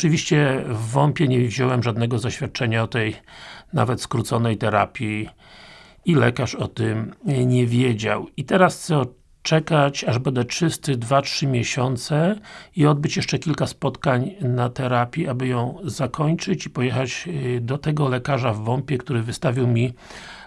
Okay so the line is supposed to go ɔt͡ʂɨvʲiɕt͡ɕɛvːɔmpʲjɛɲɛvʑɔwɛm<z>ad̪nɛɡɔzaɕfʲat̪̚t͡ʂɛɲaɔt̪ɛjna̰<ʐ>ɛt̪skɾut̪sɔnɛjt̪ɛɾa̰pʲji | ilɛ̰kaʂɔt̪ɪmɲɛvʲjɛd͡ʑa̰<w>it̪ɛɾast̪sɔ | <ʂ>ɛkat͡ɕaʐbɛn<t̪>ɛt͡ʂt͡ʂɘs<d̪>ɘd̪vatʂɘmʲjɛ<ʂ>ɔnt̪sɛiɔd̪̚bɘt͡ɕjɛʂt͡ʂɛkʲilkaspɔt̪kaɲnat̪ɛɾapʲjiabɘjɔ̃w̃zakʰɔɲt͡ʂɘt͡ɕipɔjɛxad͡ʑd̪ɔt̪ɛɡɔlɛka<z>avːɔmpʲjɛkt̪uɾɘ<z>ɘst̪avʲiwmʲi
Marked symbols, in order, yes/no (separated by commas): no, no, yes, no, no, no, no, no, no